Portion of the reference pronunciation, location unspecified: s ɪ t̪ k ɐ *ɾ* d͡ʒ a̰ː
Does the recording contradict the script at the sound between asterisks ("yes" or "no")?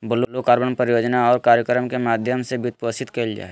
yes